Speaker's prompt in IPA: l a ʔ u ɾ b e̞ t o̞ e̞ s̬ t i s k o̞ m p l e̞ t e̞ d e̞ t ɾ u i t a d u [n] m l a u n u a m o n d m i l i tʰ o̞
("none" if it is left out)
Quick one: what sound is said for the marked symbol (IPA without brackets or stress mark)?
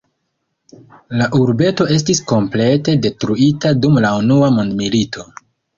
none